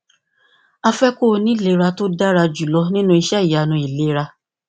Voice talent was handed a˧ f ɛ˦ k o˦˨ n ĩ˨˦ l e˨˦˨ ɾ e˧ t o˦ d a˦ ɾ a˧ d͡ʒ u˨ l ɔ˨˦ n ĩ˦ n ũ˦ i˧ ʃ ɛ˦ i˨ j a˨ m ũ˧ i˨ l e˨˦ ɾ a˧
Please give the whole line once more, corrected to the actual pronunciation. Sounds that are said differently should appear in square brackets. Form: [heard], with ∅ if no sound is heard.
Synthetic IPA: a˧ f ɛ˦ k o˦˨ n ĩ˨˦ l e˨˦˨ ɾ [a˧] t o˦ d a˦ ɾ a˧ d͡ʒ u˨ l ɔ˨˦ n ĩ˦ n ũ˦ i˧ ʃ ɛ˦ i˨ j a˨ [n] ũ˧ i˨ l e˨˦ ɾ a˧